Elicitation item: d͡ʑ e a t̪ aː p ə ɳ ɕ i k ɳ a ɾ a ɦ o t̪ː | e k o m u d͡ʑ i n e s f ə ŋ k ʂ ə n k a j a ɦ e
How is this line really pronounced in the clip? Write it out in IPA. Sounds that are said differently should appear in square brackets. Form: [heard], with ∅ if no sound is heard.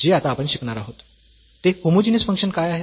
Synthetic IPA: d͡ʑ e a t̪ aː p ə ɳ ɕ i k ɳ a ɾ a ɦ o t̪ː | e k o m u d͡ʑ i n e s f ə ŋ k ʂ ə n k a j a ɦ e